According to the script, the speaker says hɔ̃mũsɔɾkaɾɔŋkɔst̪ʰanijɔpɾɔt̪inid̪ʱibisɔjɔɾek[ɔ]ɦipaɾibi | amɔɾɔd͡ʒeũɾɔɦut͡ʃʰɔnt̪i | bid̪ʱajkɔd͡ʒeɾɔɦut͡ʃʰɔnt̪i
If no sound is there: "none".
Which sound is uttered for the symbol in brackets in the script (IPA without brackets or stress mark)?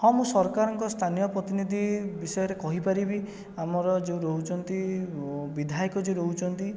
ɔ